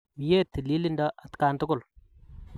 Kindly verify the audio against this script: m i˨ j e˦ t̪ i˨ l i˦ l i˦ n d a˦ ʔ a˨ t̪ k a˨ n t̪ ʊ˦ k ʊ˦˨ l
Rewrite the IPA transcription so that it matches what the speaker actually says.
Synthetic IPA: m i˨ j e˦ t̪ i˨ l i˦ l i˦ n d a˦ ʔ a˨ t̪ k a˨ n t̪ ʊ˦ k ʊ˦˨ l